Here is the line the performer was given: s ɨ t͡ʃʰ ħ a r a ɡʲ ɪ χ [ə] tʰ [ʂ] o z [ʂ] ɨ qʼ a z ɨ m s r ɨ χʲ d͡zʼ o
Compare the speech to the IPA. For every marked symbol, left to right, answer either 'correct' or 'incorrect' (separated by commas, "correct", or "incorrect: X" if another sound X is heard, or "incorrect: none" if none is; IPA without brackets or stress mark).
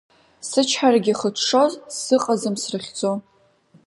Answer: correct, correct, incorrect: s